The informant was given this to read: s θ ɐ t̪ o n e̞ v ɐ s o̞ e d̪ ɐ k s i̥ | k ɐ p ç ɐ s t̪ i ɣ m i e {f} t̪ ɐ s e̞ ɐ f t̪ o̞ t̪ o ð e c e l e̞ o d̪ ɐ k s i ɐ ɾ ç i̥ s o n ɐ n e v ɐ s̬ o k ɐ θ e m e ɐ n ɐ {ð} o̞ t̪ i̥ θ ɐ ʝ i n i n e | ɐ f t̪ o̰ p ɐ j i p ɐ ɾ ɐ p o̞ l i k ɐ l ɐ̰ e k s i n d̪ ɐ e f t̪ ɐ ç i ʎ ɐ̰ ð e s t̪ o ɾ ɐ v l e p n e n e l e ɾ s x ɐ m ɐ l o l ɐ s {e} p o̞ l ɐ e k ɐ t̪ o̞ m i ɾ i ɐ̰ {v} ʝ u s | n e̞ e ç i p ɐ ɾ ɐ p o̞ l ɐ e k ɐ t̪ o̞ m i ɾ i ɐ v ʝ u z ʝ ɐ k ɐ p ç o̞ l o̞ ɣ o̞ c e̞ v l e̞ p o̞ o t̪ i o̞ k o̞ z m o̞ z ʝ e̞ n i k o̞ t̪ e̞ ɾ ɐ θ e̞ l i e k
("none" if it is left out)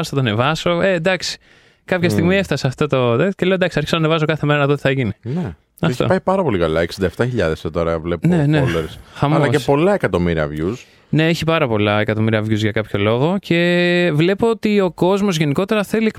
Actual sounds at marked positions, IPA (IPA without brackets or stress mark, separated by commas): f, ð, e, v